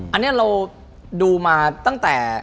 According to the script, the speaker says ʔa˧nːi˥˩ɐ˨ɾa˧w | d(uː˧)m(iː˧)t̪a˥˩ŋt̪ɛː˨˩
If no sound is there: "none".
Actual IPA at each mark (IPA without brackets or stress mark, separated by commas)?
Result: uː˧, aː˧